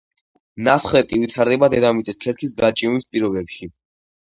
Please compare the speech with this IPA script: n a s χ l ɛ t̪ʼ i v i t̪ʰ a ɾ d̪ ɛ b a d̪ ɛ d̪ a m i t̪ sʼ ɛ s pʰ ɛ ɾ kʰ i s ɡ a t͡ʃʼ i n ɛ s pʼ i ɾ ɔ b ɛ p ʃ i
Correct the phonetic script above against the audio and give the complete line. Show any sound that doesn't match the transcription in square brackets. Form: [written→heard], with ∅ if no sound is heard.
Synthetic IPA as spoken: n a s χ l ɛ t̪ʼ i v i t̪ʰ a ɾ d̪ ɛ b a d̪ ɛ d̪ a m i t̪ sʼ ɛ s [pʰ→kʰ] ɛ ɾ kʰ i s ɡ a t͡ʃʼ i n [ɛ→i] s pʼ i ɾ ɔ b ɛ p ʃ i